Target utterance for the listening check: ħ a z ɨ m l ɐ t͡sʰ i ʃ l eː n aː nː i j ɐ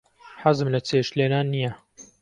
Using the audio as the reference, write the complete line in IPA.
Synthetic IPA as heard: ħ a z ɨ m l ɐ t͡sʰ e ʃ l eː n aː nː i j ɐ